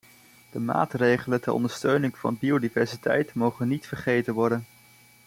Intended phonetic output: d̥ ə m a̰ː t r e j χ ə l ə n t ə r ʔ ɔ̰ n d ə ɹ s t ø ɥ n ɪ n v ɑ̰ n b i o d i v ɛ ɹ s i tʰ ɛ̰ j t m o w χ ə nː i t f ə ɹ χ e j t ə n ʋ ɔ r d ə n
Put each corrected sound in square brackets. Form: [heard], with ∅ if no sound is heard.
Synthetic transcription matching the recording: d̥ ə m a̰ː t r e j χ ə l ə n t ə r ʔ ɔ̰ n d ə ɹ s t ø ɥ n ɪ [ŋ] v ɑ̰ n b i o d i v ɛ ɹ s i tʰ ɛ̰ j t m o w χ ə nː i t f ə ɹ χ e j t ə n ʋ ɔ [ɹ] d ə n